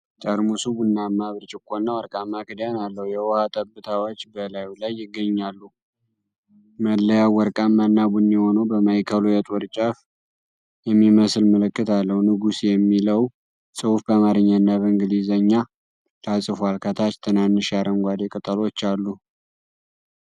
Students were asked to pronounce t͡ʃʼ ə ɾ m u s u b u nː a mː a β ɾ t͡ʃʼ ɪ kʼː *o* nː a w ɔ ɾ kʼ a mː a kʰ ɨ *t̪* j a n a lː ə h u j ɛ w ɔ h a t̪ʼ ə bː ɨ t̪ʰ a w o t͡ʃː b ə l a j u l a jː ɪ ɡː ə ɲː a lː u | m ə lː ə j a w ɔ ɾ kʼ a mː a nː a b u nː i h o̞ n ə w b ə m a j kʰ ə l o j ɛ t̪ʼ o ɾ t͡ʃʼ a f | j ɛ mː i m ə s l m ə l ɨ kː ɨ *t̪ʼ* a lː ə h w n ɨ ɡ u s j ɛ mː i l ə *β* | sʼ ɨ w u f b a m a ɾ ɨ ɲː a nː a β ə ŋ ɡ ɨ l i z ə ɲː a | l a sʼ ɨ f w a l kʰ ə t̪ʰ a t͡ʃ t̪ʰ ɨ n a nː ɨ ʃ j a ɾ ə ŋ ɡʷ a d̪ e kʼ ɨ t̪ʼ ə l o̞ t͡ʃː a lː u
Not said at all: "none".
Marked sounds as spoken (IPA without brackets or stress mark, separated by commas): o, d̪, t̪, w